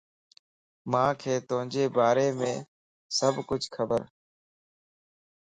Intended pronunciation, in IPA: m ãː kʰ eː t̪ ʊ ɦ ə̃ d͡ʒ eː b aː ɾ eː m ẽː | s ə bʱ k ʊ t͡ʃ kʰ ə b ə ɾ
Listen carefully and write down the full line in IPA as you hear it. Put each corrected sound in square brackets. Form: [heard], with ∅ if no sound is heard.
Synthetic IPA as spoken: m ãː kʰ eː t̪ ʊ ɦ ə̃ d͡ʒ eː b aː ɾ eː m ẽː | s ə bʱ k ʊ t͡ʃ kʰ ə b ə ɾ